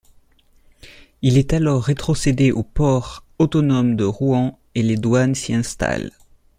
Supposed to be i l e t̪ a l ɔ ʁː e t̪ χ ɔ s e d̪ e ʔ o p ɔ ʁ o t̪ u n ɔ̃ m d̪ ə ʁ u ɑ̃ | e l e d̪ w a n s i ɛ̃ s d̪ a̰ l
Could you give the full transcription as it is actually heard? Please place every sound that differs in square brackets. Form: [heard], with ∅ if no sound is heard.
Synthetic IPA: i l [ɛ] t̪ a l ɔ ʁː e t̪ χ ɔ s e d̪ e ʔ o p ɔ ʁ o t̪ [ɔ] n [ɔ] m d̪ ə ʁ u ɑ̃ | e l e d̪ w a n s i ɛ̃ s [t̪] a̰ l